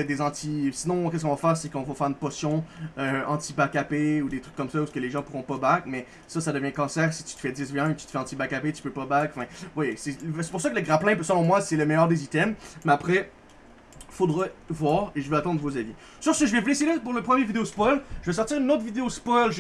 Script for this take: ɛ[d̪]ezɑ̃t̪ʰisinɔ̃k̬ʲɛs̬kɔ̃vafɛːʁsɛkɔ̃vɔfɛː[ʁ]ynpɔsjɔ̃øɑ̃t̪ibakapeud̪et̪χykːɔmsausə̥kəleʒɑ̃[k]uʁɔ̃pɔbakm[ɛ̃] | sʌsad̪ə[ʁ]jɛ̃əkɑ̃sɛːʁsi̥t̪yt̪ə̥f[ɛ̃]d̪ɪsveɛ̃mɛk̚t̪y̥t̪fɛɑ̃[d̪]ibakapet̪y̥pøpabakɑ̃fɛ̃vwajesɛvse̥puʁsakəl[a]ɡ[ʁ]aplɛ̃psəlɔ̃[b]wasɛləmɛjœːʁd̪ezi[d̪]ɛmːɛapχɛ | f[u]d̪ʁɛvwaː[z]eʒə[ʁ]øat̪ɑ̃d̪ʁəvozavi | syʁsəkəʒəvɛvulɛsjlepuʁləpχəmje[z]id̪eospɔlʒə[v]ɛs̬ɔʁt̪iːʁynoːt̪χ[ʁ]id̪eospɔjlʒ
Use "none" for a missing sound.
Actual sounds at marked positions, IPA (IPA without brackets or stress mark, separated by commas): d̪, ʁ, p, ɛ, v, ɛ, t̪, ə, ʁ, m, t̪, o, ʁ, v, v, v, v